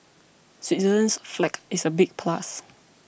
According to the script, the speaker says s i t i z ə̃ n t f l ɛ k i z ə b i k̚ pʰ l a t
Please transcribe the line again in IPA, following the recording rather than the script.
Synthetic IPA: s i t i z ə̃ n s f l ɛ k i s ə b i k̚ pʰ l a s